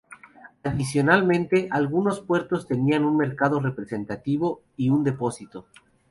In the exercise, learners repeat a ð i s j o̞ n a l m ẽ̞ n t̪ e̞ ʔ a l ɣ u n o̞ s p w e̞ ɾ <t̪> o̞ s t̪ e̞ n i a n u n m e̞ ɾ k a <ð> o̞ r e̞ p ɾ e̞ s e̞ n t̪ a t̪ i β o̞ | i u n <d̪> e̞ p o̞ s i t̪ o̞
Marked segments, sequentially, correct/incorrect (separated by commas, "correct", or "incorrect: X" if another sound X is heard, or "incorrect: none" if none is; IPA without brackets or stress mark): correct, correct, correct